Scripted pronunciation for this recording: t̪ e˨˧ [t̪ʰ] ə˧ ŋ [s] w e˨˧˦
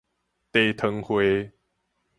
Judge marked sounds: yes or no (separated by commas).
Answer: yes, no